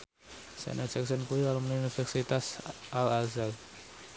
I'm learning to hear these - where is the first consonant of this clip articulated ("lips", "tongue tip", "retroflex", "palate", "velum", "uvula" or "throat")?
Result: tongue tip